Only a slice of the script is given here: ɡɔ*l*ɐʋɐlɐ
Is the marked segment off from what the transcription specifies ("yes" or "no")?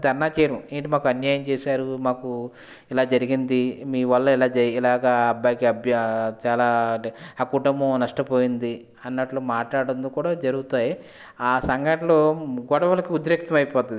yes